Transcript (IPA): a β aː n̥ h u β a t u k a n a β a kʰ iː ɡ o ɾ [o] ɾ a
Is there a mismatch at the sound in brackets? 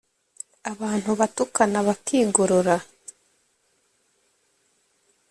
no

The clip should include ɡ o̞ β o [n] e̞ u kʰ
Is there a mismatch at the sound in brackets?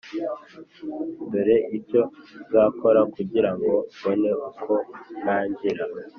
no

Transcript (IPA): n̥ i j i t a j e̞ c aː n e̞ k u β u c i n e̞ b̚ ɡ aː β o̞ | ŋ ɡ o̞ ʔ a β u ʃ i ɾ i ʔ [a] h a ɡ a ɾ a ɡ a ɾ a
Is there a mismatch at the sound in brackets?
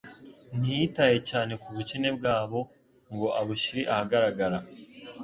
no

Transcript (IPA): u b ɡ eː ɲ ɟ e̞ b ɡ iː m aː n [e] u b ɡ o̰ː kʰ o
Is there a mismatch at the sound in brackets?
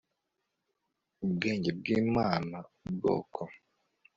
yes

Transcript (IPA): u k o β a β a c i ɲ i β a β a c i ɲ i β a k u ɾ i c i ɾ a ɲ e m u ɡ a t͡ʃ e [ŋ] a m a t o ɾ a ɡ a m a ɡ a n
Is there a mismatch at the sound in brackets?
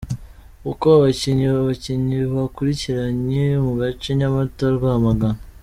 yes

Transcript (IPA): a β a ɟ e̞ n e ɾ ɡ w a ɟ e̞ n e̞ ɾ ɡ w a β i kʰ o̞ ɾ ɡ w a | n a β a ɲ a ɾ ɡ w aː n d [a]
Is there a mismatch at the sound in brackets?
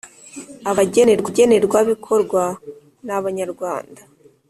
no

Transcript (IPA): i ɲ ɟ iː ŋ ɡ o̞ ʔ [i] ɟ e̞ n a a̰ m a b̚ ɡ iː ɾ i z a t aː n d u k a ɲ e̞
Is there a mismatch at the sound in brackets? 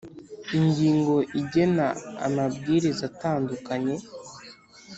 no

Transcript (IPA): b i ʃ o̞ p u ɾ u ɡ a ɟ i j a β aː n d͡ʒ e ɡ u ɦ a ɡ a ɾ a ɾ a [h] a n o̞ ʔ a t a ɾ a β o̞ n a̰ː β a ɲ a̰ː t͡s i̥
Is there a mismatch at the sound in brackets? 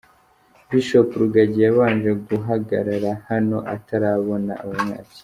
no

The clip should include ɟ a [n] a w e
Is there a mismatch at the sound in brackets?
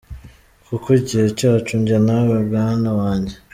no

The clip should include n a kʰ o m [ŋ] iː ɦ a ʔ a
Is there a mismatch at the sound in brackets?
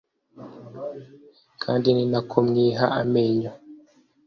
yes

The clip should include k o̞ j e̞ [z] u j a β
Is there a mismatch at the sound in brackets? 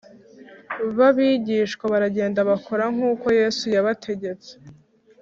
yes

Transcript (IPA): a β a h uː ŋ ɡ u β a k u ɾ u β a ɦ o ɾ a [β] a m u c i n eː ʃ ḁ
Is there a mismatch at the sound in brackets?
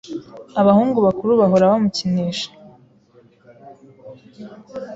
no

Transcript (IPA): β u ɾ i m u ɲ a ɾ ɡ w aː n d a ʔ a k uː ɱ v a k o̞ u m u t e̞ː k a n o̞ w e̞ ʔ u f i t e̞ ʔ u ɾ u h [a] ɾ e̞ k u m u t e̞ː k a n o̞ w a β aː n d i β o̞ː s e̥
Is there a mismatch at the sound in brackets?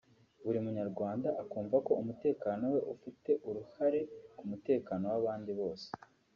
no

